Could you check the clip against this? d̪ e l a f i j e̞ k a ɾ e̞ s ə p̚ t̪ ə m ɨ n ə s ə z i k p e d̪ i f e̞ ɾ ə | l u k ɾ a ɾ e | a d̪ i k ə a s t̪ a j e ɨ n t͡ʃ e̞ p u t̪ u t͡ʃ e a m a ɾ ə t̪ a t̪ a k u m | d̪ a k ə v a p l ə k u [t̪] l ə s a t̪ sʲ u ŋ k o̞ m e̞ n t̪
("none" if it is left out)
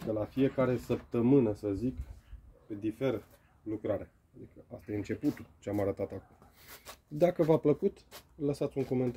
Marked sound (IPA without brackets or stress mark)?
t̪